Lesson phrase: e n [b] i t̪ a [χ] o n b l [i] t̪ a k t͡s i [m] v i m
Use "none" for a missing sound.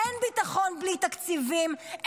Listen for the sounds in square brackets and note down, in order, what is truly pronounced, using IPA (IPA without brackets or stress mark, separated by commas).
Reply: b, χ, i, none